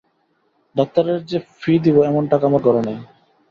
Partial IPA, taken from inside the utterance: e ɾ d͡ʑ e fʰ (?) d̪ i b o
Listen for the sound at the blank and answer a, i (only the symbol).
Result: i